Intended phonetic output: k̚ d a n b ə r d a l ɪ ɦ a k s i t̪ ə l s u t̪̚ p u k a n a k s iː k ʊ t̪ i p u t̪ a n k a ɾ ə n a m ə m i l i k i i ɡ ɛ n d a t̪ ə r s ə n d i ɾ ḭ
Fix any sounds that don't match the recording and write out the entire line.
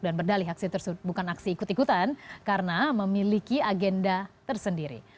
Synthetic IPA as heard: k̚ d a n b ə r d a l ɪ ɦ a k s i t̪ ə r s u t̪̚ b u k a n a k s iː k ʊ t̪ i k u t̪ a n k a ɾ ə n a m ə m i l i k i a ɡ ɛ n d a t̪ ə r s ə n d i ɾ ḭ